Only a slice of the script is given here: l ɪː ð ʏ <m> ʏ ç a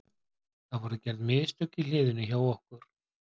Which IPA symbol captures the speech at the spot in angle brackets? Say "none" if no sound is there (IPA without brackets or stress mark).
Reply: n